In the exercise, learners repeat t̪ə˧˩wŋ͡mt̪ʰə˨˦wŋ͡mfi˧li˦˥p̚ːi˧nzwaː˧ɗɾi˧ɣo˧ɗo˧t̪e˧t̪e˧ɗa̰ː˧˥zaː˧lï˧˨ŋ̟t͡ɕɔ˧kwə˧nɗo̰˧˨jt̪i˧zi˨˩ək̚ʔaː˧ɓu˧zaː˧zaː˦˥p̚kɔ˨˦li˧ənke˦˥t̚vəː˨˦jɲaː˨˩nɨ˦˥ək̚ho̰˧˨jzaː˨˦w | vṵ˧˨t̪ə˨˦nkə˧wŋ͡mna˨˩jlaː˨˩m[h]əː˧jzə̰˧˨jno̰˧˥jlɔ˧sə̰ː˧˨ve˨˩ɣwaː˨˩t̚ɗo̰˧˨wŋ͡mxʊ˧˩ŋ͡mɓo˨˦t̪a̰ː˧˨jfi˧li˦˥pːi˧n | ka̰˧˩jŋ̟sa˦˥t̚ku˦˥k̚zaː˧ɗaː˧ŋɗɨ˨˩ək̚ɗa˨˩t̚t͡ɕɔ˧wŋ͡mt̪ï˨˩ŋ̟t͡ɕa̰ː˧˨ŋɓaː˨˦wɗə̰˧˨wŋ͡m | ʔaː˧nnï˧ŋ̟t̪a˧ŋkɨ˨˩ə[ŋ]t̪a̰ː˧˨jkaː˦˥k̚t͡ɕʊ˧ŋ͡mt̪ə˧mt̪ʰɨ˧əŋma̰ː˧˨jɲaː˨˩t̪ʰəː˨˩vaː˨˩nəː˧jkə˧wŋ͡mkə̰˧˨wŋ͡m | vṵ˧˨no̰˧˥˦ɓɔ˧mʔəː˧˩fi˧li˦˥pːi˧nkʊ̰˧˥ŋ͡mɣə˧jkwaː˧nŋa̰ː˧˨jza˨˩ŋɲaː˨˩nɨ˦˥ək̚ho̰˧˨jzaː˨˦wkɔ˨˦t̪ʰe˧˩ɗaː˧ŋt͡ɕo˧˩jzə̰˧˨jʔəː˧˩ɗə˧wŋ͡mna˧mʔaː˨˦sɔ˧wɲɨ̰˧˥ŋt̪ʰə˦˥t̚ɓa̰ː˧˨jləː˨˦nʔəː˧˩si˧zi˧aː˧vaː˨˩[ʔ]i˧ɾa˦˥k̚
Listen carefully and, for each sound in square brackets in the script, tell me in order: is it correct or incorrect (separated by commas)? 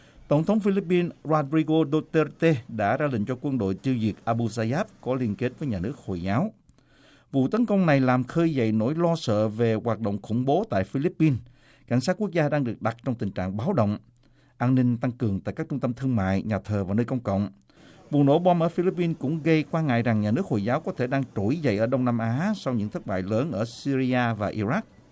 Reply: incorrect, correct, correct